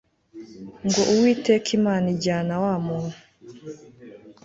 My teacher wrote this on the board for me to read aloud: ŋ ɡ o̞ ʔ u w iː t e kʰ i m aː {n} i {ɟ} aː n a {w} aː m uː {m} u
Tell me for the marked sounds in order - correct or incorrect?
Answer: correct, correct, correct, incorrect

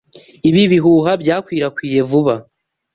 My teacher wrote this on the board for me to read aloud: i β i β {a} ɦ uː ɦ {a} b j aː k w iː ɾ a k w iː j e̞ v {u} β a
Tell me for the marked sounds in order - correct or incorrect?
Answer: incorrect, correct, correct

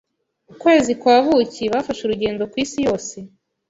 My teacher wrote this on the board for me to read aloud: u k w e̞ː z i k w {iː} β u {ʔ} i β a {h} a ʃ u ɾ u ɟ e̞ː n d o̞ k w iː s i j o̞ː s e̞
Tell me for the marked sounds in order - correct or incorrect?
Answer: incorrect, incorrect, incorrect

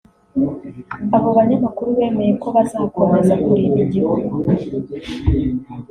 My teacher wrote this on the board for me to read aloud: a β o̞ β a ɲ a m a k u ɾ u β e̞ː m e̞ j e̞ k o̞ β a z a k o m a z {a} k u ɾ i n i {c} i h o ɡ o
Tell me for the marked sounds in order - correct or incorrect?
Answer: correct, incorrect

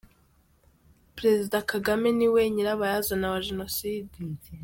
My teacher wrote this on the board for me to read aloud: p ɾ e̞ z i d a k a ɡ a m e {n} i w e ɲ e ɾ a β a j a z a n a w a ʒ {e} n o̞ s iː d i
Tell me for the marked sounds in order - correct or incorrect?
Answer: correct, correct

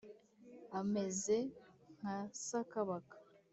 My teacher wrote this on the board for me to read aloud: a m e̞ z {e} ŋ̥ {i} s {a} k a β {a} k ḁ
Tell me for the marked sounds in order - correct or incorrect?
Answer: correct, incorrect, correct, correct

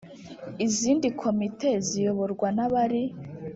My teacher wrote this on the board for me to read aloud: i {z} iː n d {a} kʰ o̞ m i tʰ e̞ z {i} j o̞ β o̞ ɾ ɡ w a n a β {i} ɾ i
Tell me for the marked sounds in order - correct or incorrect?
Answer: correct, incorrect, correct, incorrect

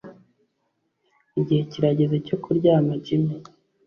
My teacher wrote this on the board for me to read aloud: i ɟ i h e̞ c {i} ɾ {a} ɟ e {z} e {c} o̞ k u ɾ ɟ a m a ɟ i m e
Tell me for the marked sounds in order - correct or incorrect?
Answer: correct, correct, correct, correct

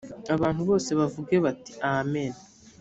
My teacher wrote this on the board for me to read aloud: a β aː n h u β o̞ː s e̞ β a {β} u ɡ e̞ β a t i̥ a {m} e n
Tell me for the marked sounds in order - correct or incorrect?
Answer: incorrect, correct

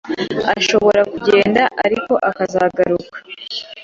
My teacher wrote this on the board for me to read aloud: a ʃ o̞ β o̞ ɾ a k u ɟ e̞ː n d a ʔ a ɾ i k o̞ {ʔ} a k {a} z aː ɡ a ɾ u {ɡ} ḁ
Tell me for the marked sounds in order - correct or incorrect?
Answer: correct, correct, incorrect

